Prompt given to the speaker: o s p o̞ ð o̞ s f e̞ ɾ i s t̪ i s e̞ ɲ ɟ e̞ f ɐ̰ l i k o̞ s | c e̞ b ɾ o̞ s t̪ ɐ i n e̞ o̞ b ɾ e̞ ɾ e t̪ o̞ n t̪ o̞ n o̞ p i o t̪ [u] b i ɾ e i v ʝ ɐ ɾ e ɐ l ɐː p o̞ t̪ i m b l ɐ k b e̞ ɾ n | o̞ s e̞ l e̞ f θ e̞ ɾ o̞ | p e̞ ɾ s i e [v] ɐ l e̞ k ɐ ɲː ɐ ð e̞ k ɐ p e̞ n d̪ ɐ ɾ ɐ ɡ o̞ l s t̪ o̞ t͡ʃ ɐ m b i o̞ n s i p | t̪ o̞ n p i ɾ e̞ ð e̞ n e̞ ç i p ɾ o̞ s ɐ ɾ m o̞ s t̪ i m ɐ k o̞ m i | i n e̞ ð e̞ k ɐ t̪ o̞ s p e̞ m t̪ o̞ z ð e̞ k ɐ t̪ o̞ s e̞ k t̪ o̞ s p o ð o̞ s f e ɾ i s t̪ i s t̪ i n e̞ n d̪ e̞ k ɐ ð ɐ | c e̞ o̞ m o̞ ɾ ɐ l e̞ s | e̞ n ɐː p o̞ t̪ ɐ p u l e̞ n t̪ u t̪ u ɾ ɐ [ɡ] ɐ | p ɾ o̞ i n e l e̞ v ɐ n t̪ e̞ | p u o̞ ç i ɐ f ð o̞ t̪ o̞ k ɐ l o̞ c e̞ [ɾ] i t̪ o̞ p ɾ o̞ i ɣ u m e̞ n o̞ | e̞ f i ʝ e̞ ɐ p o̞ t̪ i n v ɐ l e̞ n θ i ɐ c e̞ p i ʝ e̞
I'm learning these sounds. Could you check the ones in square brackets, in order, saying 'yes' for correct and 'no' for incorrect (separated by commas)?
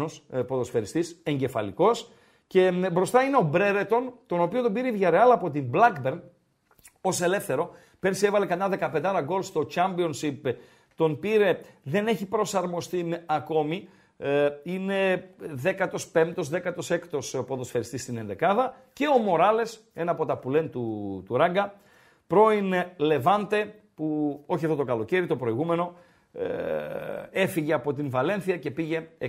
no, yes, yes, yes